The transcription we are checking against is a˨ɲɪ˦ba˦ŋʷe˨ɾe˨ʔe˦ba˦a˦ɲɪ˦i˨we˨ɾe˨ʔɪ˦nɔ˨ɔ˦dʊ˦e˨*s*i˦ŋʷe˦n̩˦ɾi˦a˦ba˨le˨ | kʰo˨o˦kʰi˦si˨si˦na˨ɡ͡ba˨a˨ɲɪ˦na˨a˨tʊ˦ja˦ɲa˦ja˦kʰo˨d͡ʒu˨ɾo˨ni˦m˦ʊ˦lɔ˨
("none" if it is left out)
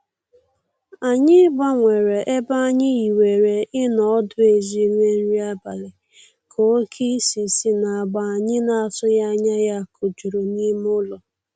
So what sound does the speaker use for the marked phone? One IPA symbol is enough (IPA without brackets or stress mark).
z